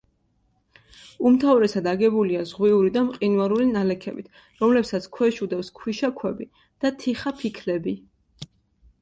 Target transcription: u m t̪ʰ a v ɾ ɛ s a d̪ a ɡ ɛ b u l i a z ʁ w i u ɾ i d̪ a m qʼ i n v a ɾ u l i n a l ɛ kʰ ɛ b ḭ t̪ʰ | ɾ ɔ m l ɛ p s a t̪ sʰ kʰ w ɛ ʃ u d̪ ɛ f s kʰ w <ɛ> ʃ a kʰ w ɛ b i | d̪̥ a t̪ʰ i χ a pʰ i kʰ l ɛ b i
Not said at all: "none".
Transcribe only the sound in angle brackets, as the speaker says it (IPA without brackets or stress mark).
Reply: i